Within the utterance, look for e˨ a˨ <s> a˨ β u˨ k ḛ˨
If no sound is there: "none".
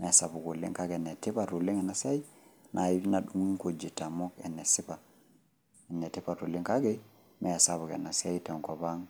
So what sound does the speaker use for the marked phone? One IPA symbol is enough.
s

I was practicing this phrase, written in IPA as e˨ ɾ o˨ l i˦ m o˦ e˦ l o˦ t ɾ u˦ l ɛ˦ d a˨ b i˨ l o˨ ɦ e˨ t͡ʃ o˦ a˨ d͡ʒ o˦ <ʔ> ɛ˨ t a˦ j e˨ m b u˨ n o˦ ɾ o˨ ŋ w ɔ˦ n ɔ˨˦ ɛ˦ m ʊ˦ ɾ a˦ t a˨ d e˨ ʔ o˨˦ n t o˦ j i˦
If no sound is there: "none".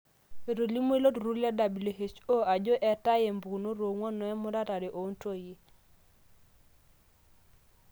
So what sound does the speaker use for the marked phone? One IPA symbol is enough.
ʔ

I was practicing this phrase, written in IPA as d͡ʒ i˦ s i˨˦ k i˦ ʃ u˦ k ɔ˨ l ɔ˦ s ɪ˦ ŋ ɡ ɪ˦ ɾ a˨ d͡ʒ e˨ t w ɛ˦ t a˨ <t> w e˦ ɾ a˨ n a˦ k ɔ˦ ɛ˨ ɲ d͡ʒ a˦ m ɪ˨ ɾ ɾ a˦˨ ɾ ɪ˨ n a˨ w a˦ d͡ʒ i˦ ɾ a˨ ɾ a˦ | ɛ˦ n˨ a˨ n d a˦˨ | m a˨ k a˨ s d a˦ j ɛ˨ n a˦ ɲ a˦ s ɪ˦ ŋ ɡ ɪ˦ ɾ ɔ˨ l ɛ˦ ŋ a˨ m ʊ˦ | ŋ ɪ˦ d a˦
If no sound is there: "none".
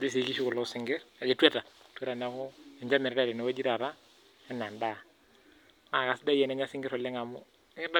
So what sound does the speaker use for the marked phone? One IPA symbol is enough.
t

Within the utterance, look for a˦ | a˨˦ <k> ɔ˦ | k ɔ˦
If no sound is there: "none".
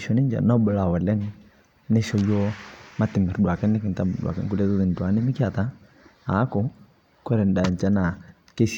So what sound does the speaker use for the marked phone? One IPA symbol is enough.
k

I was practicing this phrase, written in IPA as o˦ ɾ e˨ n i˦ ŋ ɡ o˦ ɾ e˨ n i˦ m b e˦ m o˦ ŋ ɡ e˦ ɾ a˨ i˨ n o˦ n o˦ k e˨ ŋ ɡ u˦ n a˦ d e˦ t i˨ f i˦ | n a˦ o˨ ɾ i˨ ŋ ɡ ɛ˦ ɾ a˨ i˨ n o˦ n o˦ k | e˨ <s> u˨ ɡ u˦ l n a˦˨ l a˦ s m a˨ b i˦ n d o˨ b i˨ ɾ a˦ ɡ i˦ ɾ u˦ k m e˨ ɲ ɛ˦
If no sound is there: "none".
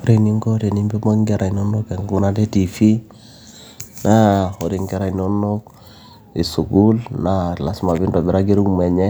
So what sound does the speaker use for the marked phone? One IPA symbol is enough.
s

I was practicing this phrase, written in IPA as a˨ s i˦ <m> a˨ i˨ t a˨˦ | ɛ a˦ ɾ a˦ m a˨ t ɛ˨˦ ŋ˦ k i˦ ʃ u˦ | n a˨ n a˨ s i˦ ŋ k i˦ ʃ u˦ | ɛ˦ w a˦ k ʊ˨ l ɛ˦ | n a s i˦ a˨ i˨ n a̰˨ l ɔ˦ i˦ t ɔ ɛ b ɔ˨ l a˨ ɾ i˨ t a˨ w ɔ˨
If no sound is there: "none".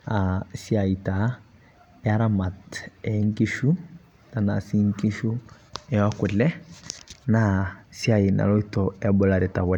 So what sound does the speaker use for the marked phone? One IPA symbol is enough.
none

